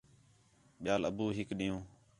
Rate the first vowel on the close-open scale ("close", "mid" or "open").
close